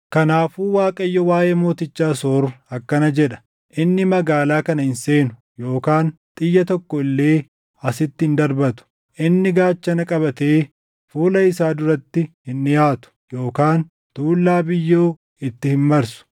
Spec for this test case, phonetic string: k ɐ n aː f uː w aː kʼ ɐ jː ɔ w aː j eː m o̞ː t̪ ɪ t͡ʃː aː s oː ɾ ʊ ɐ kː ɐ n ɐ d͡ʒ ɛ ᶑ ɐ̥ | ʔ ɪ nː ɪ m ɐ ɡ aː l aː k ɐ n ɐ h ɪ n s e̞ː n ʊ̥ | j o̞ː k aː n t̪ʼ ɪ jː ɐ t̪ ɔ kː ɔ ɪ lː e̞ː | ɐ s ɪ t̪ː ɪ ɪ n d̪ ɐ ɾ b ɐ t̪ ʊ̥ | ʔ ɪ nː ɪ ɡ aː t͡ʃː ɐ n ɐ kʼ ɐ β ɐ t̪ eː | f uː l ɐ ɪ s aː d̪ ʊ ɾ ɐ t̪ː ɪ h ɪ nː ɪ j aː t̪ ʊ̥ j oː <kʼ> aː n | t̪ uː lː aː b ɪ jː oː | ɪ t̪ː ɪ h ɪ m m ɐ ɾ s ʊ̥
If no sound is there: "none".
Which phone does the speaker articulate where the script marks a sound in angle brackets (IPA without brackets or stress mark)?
k